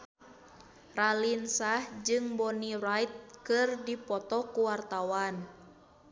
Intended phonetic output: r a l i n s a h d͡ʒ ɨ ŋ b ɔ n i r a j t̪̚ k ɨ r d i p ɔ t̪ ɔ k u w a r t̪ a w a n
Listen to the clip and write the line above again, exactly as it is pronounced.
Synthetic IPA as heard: r a l i n s a h d͡ʒ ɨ ŋ b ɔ n i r a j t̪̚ k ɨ r d i p ɔ t̪ ɔ k u w a r t̪ a w a n